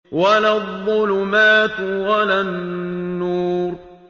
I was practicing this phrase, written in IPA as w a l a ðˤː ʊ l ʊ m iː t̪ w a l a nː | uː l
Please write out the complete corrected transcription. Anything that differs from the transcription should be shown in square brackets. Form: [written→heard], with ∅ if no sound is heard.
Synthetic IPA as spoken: w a l a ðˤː ʊ l ʊ m [iː→aː] t̪ w a l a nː | uː [l→ɾ]